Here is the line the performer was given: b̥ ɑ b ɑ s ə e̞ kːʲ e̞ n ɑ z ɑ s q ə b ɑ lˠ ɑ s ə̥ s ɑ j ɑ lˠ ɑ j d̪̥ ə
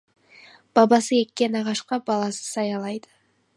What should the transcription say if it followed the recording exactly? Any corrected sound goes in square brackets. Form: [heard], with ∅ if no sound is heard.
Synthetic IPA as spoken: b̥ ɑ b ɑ s ə e̞ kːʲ e̞ n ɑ [ʁ] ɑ [ʃ] q [ɑ] b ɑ lˠ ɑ s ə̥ s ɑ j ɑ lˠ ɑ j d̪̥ ə